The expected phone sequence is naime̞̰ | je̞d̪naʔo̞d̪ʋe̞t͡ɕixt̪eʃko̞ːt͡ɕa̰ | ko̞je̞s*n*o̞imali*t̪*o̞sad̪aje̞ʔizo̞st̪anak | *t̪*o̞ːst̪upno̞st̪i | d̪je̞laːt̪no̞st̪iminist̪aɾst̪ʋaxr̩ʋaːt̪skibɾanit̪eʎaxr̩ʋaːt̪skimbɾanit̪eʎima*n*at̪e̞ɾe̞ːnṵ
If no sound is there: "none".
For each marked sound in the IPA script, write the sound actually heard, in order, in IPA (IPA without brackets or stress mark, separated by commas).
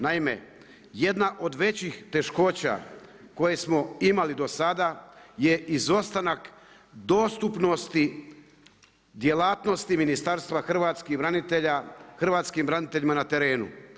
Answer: m, d̪, d̪, n